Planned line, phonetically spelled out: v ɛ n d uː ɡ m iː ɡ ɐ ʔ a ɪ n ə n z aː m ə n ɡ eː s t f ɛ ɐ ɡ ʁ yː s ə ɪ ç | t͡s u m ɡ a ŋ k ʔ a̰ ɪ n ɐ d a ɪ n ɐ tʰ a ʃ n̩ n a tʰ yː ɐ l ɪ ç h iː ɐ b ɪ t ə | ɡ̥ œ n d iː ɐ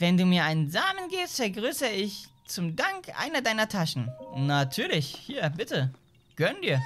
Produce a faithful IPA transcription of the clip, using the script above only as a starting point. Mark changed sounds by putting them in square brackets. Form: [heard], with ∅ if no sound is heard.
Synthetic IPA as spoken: v ɛ n d uː [∅] m iː [∅] ɐ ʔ a ɪ n ə n z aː m ə n ɡ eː s t f ɛ ɐ ɡ ʁ yː s ə ɪ ç | t͡s [ʊ] m [d] a ŋ k ʔ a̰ ɪ n ɐ d a ɪ n ɐ tʰ a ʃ n̩ n a tʰ yː ɐ l ɪ ç h iː ɐ b ɪ t ə | ɡ̥ œ n d iː ɐ